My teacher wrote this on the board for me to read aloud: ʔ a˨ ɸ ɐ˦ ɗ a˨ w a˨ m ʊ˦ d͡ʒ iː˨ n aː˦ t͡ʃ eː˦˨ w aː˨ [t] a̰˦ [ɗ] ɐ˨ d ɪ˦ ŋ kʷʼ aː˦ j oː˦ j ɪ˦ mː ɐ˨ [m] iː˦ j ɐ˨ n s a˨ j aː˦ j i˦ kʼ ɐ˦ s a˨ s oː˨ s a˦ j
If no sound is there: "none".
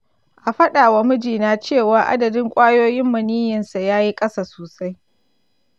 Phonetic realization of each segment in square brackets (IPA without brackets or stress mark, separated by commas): ʔ, d, n